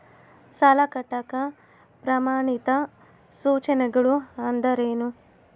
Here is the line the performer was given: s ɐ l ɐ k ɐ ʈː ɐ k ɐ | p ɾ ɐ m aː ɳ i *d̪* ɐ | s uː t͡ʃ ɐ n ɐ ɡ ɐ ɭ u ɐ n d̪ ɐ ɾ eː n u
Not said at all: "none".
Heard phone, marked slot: t̪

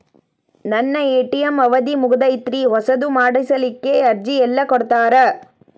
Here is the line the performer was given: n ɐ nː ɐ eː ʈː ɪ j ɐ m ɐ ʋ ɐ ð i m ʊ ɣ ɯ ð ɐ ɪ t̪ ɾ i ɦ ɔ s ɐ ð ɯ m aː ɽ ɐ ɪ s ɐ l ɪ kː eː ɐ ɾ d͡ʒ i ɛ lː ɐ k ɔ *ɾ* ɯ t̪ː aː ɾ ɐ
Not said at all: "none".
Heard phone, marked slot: ɽ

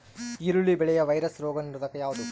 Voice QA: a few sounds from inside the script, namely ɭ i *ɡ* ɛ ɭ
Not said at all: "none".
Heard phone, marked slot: b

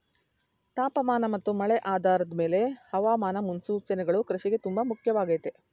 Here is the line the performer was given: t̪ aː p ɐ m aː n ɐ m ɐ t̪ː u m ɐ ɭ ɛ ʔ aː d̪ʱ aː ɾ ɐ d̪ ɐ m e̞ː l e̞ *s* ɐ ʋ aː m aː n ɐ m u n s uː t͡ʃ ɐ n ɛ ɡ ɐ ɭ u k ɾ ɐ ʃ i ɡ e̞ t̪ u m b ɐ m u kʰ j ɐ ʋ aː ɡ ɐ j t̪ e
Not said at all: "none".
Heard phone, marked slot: h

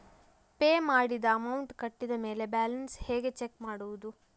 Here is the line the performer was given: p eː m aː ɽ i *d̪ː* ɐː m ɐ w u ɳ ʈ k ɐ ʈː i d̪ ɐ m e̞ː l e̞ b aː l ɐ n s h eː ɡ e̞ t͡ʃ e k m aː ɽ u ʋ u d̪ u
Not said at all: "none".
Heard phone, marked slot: d̪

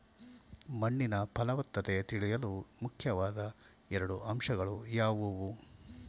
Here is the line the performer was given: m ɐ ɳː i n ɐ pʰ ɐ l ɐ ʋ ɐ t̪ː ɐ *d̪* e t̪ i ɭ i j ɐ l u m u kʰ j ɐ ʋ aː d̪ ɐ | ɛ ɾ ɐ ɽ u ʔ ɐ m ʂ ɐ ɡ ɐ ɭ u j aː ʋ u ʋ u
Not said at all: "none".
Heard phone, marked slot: t̪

